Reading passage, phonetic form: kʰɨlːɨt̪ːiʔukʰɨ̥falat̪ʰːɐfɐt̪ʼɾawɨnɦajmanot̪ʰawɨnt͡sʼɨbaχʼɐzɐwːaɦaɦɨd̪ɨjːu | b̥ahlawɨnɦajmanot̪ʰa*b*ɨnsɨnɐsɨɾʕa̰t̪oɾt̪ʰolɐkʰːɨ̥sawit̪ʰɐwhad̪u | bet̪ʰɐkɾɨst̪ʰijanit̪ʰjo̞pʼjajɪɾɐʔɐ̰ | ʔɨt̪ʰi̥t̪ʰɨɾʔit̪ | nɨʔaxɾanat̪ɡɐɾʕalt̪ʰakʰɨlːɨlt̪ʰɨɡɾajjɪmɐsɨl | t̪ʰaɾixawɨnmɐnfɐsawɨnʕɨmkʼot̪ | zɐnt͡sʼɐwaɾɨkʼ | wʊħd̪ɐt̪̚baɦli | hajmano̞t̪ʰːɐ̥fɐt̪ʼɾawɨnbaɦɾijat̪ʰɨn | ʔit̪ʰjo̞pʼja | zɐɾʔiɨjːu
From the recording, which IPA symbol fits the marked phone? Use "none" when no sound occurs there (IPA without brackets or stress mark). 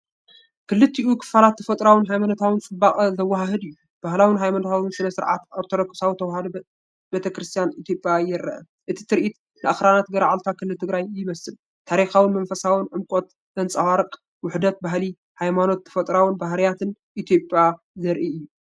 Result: w